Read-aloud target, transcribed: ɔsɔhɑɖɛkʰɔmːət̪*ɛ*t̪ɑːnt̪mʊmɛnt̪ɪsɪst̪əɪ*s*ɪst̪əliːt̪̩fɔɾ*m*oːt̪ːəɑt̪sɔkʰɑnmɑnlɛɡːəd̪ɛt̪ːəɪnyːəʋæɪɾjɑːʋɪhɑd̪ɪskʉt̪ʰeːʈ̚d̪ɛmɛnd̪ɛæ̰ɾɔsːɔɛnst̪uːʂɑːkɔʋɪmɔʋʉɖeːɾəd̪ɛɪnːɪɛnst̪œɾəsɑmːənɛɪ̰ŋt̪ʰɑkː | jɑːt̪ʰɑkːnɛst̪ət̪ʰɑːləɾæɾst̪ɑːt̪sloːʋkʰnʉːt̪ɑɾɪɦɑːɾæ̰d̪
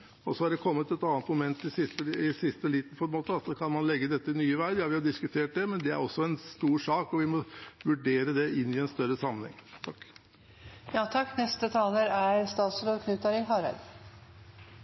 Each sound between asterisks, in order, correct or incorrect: correct, correct, correct

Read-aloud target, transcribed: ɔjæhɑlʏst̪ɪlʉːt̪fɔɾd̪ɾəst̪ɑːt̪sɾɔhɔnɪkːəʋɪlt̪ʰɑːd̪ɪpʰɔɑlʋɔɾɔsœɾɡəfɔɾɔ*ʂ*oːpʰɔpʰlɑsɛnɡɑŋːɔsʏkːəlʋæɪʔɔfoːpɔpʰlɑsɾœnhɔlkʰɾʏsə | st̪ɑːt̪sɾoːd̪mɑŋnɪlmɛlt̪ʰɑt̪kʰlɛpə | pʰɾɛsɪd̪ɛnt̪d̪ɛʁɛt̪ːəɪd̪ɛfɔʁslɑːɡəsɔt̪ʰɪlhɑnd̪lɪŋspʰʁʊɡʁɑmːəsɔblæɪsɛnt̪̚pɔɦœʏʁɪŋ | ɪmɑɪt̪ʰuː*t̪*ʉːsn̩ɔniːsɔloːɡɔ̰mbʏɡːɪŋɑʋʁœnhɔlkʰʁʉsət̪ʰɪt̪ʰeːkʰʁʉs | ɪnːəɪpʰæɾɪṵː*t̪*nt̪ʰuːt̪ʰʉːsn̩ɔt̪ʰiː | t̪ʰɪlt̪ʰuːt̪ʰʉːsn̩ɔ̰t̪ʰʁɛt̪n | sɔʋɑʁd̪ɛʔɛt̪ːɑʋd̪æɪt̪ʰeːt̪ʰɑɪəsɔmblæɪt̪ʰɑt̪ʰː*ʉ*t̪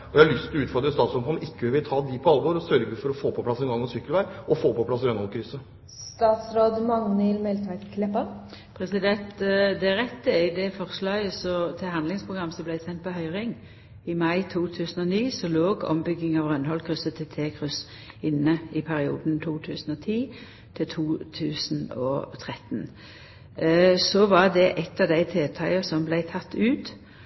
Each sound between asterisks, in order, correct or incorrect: incorrect: f, incorrect: t̪ʰ, incorrect: d̪, incorrect: ʉː

